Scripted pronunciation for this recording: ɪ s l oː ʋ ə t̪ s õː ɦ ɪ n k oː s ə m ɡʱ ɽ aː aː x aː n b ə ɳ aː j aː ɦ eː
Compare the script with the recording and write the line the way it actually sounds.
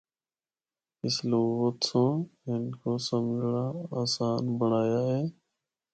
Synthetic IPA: ɪ s l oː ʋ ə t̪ s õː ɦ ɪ n k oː s ə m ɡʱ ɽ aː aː s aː n b ə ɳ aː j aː ɦ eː